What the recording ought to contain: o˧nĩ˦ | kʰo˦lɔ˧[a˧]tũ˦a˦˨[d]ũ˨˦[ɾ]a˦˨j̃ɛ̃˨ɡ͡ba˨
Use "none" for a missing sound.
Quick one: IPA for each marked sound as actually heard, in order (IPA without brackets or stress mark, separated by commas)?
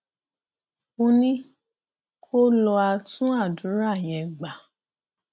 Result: a˧, d, ɾ